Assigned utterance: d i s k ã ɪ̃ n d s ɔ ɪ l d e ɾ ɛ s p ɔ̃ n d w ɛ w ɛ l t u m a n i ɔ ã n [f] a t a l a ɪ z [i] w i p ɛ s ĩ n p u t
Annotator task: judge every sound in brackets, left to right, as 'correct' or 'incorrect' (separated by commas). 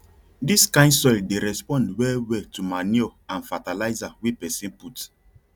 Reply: correct, incorrect